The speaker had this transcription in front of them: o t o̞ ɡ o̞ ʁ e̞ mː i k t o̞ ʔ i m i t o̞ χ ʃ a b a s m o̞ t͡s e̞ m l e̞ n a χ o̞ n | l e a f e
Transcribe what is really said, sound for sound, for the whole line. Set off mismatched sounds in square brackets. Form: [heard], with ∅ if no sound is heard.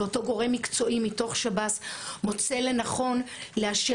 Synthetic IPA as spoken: o t o̞ ɡ o̞ ʁ e̞ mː i k [t͡s] o̞ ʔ i m i t o̞ χ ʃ a b a s m o̞ t͡s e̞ [∅] l e̞ n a χ o̞ n | l e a [ʃ] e